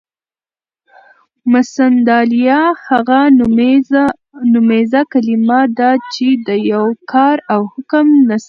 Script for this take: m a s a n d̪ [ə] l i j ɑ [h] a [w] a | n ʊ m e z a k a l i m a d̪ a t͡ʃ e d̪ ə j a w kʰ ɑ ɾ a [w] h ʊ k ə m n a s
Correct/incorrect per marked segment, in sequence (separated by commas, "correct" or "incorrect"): incorrect, correct, incorrect, correct